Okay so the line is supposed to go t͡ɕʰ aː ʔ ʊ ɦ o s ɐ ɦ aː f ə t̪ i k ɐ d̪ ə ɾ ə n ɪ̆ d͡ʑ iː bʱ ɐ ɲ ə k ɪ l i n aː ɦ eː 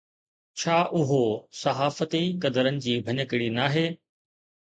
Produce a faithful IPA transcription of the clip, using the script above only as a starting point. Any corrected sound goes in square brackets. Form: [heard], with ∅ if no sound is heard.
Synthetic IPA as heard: t͡ɕʰ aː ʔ ʊ ɦ o s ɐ ɦ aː f ə t̪ i k ɐ d̪ ə ɾ ə n ɪ̆ d͡ʑ iː bʱ ɐ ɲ ə k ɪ [ɽ] i n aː ɦ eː